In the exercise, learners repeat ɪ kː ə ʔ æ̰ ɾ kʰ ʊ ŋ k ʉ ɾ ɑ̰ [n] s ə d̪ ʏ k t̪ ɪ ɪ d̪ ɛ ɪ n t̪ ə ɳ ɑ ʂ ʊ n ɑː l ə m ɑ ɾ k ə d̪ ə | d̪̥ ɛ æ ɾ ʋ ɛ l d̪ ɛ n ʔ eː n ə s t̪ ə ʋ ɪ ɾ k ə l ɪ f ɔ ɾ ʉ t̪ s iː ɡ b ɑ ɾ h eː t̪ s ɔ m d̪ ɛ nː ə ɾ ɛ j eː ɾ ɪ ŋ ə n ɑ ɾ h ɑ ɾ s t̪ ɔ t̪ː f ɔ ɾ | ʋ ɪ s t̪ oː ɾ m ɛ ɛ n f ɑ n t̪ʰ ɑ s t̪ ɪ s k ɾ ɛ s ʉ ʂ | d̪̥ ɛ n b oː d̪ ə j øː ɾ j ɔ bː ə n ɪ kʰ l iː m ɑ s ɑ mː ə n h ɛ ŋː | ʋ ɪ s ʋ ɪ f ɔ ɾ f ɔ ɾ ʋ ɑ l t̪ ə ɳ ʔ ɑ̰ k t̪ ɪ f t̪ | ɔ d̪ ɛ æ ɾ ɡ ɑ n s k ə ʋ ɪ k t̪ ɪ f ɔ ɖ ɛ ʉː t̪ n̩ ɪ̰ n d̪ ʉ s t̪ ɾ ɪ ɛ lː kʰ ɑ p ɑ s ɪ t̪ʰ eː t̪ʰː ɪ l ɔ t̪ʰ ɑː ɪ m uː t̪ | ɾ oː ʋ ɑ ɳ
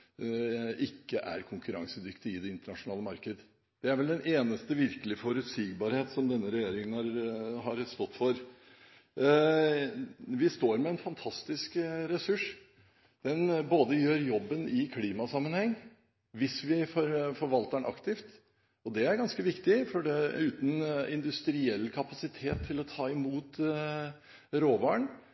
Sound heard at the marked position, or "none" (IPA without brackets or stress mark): ŋ